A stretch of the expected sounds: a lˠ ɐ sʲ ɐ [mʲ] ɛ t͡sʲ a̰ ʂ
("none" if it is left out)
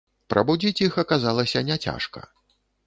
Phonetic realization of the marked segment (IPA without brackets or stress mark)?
nʲ